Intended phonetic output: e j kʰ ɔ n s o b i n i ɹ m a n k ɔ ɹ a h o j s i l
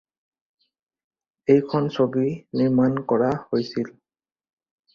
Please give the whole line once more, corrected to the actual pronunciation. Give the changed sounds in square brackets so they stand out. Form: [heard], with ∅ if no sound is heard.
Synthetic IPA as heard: e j kʰ ɔ n s o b i n i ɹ m a n k ɔ ɹ a h o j s i l